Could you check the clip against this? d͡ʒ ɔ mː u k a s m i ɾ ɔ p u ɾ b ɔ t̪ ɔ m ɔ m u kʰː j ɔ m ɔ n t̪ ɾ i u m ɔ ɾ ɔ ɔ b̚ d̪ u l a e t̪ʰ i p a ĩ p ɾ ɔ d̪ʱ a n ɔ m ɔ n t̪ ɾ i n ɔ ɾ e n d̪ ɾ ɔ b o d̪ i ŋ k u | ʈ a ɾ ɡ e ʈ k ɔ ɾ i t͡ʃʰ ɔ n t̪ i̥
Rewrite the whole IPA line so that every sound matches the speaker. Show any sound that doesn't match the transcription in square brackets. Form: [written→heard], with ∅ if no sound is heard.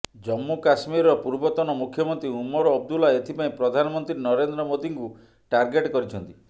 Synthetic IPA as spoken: d͡ʒ ɔ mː u k a s m i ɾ ɔ p u ɾ b ɔ t̪ ɔ [m→n] ɔ m u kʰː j ɔ m ɔ n t̪ ɾ i u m ɔ ɾ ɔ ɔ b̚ d̪ u l a e t̪ʰ i p a ĩ p ɾ ɔ d̪ʱ a n ɔ m ɔ n t̪ ɾ i n ɔ ɾ e n d̪ ɾ ɔ [b→m] o d̪ i ŋ k u | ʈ a ɾ ɡ e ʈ k ɔ ɾ i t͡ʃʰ ɔ n t̪ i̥

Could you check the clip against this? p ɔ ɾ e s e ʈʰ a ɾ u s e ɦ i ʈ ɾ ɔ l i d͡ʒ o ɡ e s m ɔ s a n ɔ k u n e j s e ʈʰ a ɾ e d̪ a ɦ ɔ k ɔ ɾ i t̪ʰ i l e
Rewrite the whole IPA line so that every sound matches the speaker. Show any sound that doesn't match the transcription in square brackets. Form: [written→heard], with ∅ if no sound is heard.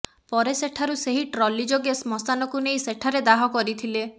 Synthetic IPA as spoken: p ɔ ɾ e s e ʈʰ a ɾ u s e ɦ i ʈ ɾ ɔ l i d͡ʒ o ɡ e s m ɔ s a n ɔ k u n e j s e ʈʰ a ɾ e d̪ a ɦ ɔ k ɔ ɾ i t̪ʰ i l e

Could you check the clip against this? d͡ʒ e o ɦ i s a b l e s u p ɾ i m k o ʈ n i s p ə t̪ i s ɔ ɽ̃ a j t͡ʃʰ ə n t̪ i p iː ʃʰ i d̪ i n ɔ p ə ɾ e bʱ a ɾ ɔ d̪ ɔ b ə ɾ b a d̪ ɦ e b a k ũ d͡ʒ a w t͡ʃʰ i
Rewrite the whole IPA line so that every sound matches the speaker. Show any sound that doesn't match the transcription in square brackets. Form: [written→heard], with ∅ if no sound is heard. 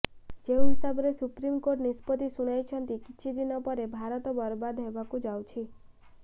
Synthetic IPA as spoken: d͡ʒ e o ɦ i s a b [l→ɾ] e s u p ɾ i m k o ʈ n i s p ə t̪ i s [ɔ→u] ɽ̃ a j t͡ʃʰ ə n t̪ i [p→k] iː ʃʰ i d̪ i n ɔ p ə ɾ e bʱ a ɾ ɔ [d̪→t̪] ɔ b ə ɾ b a d̪ ɦ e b a k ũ d͡ʒ a w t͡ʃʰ i

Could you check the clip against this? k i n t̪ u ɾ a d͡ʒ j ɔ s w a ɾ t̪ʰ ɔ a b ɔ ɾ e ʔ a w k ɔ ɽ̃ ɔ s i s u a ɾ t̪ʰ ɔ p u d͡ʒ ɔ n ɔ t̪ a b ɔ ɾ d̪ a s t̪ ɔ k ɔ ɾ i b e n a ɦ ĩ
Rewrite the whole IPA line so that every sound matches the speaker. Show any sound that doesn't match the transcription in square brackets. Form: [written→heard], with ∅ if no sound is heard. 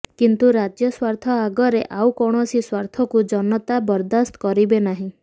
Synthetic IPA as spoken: k i n t̪ u ɾ a d͡ʒ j ɔ s w a ɾ t̪ʰ ɔ a [b→ɡ] ɔ ɾ e ʔ a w k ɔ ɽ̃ ɔ s i s [u→w] a ɾ t̪ʰ ɔ [p→k] u d͡ʒ ɔ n ɔ t̪ a b ɔ ɾ d̪ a s t̪ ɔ k ɔ ɾ i b e n a ɦ ĩ

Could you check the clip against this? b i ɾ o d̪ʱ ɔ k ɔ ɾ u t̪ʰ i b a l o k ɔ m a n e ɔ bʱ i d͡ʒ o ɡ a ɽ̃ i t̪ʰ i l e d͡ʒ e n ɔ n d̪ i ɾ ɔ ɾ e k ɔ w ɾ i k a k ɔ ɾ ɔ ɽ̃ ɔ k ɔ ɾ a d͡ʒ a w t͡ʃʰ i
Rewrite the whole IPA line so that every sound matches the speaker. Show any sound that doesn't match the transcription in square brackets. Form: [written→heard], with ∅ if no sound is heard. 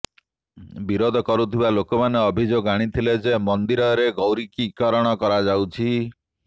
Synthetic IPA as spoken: b i ɾ o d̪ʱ ɔ k ɔ ɾ u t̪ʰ i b a l o k ɔ m a n e ɔ bʱ i d͡ʒ o ɡ a ɽ̃ i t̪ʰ i l e d͡ʒ e [n→m] ɔ n d̪ i ɾ ɔ ɾ e [k→ɡ] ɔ w ɾ i k [a→i] k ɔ ɾ ɔ ɽ̃ ɔ k ɔ ɾ a d͡ʒ a w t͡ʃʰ i

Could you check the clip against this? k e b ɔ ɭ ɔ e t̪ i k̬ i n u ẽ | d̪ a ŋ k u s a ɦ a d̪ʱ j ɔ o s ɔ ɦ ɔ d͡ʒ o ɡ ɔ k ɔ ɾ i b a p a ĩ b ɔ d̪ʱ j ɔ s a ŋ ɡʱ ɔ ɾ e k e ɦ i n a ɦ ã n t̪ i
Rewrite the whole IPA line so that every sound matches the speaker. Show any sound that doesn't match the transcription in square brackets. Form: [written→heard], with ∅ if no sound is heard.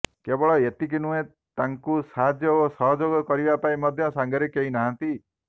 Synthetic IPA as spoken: k e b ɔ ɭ ɔ e t̪ i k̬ i n u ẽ | [d̪→t̪] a ŋ k u s a ɦ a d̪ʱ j ɔ o s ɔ ɦ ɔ d͡ʒ o ɡ ɔ k ɔ ɾ i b a p a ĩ [b→m] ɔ d̪ʱ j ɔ s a ŋ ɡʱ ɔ ɾ e k e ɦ i n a ɦ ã n t̪ i

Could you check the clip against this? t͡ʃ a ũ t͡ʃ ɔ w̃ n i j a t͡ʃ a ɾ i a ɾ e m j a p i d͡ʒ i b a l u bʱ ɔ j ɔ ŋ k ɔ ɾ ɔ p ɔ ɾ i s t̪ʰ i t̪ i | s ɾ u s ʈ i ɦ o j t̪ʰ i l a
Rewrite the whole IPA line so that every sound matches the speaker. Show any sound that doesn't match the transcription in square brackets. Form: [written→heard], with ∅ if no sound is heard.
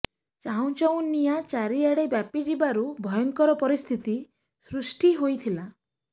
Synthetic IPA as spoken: t͡ʃ a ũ t͡ʃ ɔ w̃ n i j a t͡ʃ a ɾ i a [ɾ→ɽ] e [m→b] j a p i d͡ʒ i b a [l→ɾ] u bʱ ɔ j ɔ ŋ k ɔ ɾ ɔ p ɔ ɾ i s t̪ʰ i t̪ i | s ɾ u s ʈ i ɦ o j t̪ʰ i l a

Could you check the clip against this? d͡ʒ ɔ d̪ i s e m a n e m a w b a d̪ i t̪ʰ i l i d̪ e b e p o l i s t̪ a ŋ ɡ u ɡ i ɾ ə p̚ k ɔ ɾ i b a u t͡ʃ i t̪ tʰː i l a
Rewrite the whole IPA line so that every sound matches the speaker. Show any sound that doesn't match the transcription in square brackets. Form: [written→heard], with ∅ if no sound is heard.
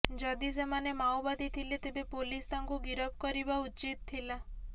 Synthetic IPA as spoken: d͡ʒ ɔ d̪ i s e m a n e m a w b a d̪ i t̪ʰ i l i [d̪→t̪] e b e p o l i s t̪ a ŋ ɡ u ɡ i ɾ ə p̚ k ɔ ɾ i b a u t͡ʃ i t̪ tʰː i l a

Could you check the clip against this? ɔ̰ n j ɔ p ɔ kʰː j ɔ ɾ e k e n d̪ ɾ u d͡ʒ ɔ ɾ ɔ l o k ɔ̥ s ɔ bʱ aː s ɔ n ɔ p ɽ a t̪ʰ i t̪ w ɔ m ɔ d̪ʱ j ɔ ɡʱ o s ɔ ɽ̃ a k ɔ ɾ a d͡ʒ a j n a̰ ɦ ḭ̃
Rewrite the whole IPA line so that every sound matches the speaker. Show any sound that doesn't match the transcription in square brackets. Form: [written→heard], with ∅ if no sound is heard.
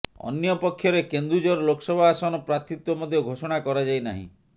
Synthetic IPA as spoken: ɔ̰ n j ɔ p ɔ kʰː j ɔ ɾ e k e n d̪ ɾ u d͡ʒ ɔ ɾ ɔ l o k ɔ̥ s ɔ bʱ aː s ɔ n ɔ p [ɽ→ɾ] a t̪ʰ i t̪ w ɔ m ɔ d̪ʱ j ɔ ɡʱ o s ɔ ɽ̃ a k ɔ ɾ a d͡ʒ a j n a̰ ɦ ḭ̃

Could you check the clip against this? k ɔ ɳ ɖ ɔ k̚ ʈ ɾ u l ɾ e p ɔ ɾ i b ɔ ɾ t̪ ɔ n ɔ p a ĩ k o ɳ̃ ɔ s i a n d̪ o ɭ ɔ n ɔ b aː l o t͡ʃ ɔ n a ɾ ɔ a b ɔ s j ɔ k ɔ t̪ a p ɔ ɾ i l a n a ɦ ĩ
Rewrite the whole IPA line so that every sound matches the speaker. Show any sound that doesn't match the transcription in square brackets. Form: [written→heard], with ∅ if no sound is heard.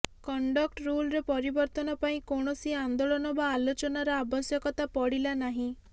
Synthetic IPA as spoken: k ɔ ɳ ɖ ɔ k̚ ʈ ɾ u l ɾ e p ɔ ɾ i b ɔ ɾ t̪ ɔ n ɔ p a ĩ k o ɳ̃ ɔ s i a n d̪ o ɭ ɔ n ɔ b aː l o t͡ʃ ɔ n a ɾ ɔ a b ɔ s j ɔ k ɔ t̪ a p ɔ [ɾ→ɽ] i l a n a ɦ ĩ

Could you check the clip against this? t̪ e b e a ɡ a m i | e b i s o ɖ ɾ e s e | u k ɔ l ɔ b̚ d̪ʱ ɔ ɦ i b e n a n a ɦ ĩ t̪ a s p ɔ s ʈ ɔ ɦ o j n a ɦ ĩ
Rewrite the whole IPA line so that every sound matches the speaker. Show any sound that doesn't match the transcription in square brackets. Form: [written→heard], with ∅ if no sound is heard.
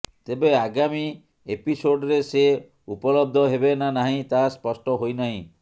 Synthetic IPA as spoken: t̪ e b e a ɡ a m i | e [b→p] i s o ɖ ɾ e s e | u [k→p] ɔ l ɔ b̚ d̪ʱ ɔ ɦ [i→e] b e n a n a ɦ ĩ t̪ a s p ɔ s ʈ ɔ ɦ o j n a ɦ ĩ

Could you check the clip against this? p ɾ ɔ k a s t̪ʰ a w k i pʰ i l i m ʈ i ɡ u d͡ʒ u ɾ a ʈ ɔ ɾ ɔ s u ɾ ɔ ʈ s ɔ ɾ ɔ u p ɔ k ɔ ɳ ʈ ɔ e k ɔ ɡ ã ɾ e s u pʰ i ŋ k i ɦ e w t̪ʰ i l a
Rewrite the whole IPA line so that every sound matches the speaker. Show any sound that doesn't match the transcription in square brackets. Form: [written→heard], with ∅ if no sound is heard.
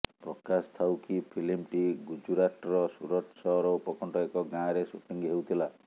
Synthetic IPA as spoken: p ɾ ɔ k a s t̪ʰ a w k i pʰ i l i m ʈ i ɡ u d͡ʒ u ɾ a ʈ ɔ ɾ ɔ s u ɾ ɔ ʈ s ɔ ɾ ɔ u p ɔ k ɔ ɳ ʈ ɔ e k ɔ ɡ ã ɾ e s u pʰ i ŋ [k→ɡ] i ɦ e w t̪ʰ i l a

